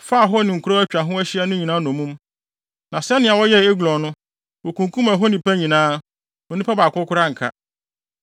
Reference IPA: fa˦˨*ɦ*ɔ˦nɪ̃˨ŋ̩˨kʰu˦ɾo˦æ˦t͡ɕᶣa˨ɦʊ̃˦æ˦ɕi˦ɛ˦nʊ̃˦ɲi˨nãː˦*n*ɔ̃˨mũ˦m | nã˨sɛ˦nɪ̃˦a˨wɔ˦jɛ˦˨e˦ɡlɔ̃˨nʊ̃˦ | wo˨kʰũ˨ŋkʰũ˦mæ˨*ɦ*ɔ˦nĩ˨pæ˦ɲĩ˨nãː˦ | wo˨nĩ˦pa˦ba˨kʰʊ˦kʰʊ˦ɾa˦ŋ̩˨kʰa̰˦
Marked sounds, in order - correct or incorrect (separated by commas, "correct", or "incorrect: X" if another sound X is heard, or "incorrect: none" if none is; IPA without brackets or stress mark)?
correct, correct, correct